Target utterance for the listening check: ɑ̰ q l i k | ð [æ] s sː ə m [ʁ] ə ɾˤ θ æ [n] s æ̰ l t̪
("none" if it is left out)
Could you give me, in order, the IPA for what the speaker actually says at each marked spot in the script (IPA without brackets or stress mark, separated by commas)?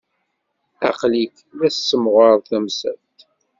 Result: æ, ʁ, m